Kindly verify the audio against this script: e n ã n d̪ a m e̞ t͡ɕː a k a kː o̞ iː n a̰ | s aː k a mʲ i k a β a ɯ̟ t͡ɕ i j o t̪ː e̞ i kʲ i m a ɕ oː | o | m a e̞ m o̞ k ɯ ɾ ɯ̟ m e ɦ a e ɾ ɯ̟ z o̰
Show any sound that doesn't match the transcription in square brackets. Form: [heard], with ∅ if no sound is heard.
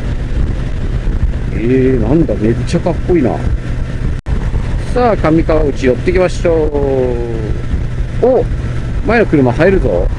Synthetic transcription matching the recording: e n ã n d̪ a m e̞ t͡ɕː a k a kː o̞ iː n a̰ | s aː k a mʲ i k a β a ɯ̟ t͡ɕ i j o t̪ː e̞ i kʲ i m a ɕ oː | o | m a e̞ [n] o̞ k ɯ ɾ ɯ̟ m [a] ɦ a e ɾ ɯ̟ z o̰

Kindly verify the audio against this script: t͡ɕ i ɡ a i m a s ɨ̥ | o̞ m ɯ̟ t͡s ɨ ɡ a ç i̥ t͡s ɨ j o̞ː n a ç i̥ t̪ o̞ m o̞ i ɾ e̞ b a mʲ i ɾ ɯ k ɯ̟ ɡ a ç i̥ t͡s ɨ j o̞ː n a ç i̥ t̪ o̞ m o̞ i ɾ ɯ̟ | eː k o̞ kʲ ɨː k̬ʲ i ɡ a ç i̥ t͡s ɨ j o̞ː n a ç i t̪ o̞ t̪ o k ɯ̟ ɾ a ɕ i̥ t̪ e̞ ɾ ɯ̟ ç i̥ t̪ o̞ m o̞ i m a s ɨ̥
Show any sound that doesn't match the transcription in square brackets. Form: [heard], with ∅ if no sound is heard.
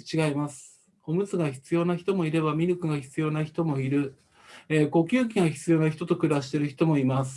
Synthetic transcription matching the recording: t͡ɕ i ɡ a i m a s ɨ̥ | o̞ m ɯ̟ t͡s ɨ ɡ a ç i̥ t͡s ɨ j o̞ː n a ç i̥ t̪ o̞ m o̞ i ɾ e̞ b a mʲ i ɾ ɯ k ɯ̟ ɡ a ç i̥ t͡s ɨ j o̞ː n a ç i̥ t̪ o̞ m o̞ i ɾ ɯ̟ | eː k o̞ kʲ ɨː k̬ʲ i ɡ a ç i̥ t͡s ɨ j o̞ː n a ç i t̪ o̞ t̪ o k ɯ̟ ɾ a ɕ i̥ t̪ e̞ ɾ ɯ̟ ç i̥ t̪ o̞ m o̞ i m a s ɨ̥

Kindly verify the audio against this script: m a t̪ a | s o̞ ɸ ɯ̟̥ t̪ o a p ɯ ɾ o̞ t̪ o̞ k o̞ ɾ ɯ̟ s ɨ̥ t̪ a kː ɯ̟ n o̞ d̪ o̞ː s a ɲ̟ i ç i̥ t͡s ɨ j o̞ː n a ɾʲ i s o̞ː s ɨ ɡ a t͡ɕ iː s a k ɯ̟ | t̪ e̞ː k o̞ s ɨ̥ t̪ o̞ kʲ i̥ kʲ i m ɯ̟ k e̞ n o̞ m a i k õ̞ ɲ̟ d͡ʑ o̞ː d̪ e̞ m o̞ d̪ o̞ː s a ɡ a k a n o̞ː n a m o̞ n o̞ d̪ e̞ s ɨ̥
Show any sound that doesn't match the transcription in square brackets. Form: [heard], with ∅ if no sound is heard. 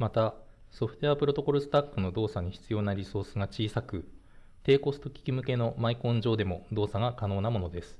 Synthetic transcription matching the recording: m a t̪ a | s o̞ ɸ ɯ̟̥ t̪ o a p ɯ ɾ o̞ t̪ o̞ k o̞ ɾ ɯ̟ s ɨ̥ t̪ a kː ɯ̟ n o̞ d̪ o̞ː s a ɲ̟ i ç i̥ t͡s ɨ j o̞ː n a ɾʲ i s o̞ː s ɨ ɡ a t͡ɕ iː s a k ɯ̟ | t̪ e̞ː k o̞ s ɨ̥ t̪ o̞ kʲ i̥ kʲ i m ɯ̟ k e̞ n o̞ m a i k õ̞ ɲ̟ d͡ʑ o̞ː d̪ e̞ m o̞ d̪ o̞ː s a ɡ a k a n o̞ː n a m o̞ n o̞ d̪ e̞ s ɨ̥

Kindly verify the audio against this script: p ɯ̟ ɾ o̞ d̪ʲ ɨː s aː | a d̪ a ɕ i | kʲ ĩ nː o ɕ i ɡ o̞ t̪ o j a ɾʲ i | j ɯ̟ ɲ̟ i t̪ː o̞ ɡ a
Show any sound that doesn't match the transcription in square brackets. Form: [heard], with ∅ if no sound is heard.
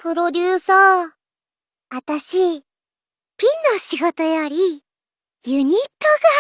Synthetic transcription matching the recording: p ɯ̟ ɾ o̞ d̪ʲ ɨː s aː | a [t̪] a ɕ i | [pʲ] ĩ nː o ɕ i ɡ o̞ t̪ o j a ɾʲ i | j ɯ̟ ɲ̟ i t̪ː o̞ ɡ a

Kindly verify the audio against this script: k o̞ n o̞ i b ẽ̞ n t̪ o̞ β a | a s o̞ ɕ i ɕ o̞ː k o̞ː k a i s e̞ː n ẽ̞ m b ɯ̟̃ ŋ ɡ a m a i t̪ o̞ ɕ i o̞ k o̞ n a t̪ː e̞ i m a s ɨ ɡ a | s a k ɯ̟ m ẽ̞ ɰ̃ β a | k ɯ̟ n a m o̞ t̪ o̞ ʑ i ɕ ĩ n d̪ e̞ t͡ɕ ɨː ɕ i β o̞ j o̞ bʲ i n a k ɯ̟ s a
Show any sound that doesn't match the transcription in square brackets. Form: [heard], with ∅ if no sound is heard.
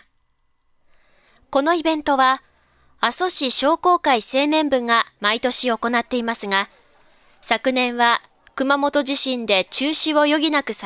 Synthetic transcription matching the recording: k o̞ n o̞ i b ẽ̞ n t̪ o̞ β a | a s o̞ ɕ i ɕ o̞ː k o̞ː k a i s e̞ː n ẽ̞ m b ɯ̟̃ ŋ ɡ a m a i t̪ o̞ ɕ i o̞ k o̞ n a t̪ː e̞ i m a s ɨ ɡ a | s a k ɯ̟ [n] ẽ̞ ɰ̃ β a | k ɯ̟ [m] a m o̞ t̪ o̞ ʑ i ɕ ĩ n d̪ e̞ t͡ɕ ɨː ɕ i β o̞ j o̞ [ɡʲ] i n a k ɯ̟ s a

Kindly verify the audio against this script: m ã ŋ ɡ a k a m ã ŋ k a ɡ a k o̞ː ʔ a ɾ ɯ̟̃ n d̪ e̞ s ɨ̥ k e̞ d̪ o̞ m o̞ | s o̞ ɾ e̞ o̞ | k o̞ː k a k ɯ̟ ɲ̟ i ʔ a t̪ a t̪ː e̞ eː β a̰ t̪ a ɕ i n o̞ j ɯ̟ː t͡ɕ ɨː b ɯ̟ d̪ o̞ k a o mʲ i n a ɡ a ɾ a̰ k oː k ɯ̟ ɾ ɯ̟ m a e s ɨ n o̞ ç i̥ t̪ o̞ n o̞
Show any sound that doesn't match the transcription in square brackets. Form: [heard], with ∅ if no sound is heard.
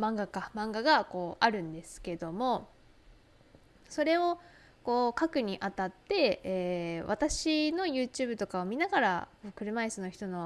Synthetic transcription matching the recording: m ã ŋ ɡ a k a m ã ŋ [ɡ] a ɡ a k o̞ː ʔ a ɾ ɯ̟̃ n d̪ e̞ s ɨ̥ k e̞ d̪ o̞ m o̞ | s o̞ ɾ e̞ o̞ | k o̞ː k a k ɯ̟ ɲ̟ i ʔ a t̪ a t̪ː e̞ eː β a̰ t̪ a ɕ i n o̞ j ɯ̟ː t͡ɕ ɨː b ɯ̟ [t̪] o̞ k a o mʲ i n a ɡ a ɾ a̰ k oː k ɯ̟ ɾ ɯ̟ m a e s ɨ n o̞ ç i̥ t̪ o̞ n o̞

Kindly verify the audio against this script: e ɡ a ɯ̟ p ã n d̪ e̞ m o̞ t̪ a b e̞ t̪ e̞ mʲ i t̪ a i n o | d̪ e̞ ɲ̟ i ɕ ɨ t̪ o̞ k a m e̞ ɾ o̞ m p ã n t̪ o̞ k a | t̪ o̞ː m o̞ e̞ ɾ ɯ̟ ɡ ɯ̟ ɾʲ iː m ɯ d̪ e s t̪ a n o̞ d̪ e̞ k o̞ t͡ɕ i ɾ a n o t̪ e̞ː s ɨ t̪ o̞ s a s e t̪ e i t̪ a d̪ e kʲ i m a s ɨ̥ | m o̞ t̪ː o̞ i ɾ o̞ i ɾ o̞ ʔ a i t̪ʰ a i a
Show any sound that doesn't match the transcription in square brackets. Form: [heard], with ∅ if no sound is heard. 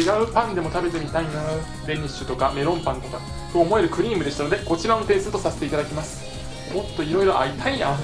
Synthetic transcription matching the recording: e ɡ a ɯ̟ p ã n d̪ e̞ m o̞ t̪ a b e̞ t̪ e̞ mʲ i t̪ a i n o | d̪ e̞ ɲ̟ i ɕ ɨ t̪ o̞ k a m e̞ ɾ [õ̞] m p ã n t̪ o̞ k a | t̪ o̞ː m o̞ e̞ ɾ ɯ̟ [k] ɯ̟ ɾʲ iː m ɯ d̪ e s t̪ a n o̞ d̪ e̞ k o̞ t͡ɕ i ɾ a n o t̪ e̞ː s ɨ t̪ o̞ s a s e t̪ e i t̪ a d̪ [a] kʲ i m a s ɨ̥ | m o̞ t̪ː o̞ i ɾ o̞ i ɾ o̞ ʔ a i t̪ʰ a i a

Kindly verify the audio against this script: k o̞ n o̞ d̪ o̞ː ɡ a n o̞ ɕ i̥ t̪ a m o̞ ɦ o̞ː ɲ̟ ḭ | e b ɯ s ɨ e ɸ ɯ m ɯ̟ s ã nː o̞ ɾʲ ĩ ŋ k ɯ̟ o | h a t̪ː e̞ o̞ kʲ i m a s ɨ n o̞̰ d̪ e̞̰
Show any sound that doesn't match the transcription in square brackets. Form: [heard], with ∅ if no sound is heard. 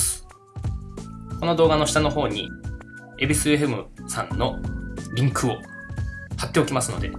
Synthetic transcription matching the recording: k o̞ n o̞ d̪ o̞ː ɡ a n o̞ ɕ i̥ t̪ a [n] o̞ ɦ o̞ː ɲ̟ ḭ | e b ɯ s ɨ e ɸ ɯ m ɯ̟ s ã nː o̞ ɾʲ ĩ ŋ k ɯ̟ o | h a t̪ː e̞ o̞ kʲ i m a s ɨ n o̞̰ d̪ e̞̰

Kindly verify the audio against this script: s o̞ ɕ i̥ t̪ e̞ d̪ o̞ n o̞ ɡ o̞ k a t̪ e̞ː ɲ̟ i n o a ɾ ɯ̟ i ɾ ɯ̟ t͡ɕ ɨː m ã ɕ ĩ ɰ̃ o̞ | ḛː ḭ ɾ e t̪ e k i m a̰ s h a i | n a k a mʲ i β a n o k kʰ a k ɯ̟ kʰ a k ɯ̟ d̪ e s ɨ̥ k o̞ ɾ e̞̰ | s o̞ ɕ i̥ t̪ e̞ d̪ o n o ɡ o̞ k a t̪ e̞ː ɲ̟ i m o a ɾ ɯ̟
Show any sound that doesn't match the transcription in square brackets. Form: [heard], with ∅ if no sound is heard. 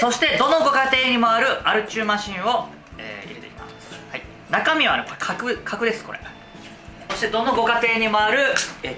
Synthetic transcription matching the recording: s o̞ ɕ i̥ t̪ e̞ d̪ o̞ n o̞ ɡ o̞ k a t̪ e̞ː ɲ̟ i [m] o a ɾ ɯ̟ [a] ɾ ɯ̟ t͡ɕ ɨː m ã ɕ ĩ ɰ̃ o̞ | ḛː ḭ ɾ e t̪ e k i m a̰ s h a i | n a k a mʲ i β a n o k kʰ a k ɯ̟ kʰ a k ɯ̟ d̪ e s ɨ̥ k o̞ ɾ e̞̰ | s o̞ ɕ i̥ t̪ e̞ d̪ o n o ɡ o̞ k a t̪ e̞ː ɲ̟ i m o a ɾ ɯ̟

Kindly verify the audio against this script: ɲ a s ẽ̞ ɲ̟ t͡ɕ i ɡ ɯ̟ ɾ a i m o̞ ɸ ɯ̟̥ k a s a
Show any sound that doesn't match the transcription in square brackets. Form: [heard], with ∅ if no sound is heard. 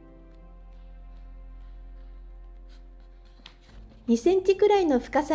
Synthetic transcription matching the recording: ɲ [i] s ẽ̞ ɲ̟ t͡ɕ i [k] ɯ̟ ɾ a i [n] o̞ ɸ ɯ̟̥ k a s a

